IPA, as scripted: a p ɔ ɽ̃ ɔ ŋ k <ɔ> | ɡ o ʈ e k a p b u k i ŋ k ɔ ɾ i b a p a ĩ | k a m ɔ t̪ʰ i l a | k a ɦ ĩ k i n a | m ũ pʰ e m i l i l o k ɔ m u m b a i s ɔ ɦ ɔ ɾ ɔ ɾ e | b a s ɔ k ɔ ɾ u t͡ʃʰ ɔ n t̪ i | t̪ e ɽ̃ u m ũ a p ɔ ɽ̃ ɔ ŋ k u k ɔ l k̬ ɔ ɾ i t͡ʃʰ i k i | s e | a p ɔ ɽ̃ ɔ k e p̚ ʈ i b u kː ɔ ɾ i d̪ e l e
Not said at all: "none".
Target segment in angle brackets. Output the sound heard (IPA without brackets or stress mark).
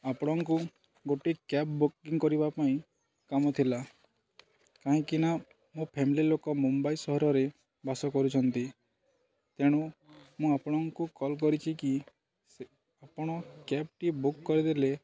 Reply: u